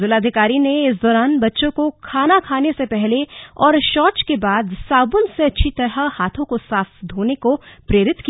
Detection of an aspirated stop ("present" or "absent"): present